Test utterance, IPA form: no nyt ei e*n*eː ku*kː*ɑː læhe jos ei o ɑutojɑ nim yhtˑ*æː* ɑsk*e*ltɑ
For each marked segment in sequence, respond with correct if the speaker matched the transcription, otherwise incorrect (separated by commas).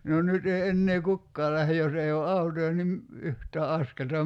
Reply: incorrect, correct, correct, correct